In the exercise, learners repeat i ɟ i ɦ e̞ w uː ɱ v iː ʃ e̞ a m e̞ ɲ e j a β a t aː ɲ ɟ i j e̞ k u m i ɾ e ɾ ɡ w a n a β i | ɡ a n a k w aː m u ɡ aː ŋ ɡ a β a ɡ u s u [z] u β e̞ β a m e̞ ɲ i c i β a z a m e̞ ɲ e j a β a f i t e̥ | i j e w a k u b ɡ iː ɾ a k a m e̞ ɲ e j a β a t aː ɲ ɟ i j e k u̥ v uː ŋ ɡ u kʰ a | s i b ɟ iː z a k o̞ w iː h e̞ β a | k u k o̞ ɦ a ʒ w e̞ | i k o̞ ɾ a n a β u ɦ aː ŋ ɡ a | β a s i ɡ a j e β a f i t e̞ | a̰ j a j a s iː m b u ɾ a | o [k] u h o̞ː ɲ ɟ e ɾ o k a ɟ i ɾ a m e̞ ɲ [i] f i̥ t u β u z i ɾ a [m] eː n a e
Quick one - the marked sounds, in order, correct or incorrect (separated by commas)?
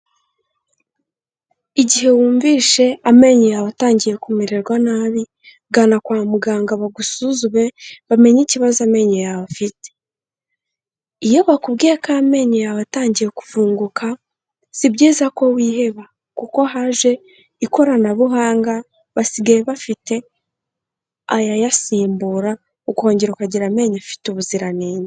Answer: correct, correct, incorrect, incorrect